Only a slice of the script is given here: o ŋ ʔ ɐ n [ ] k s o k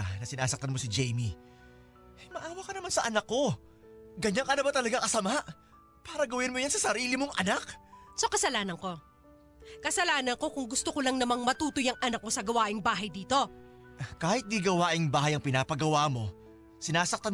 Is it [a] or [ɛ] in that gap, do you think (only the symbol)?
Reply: a